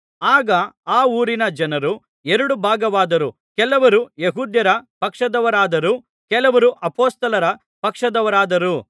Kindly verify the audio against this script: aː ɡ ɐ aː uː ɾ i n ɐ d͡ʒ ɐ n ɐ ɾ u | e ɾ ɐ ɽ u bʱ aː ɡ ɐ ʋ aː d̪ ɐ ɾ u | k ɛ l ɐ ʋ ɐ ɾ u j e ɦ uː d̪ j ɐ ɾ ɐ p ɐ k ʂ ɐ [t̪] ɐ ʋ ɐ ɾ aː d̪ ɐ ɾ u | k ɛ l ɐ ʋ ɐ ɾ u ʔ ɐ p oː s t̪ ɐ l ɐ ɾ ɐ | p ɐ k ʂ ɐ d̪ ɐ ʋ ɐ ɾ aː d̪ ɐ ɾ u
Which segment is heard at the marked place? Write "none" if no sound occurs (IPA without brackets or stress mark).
d̪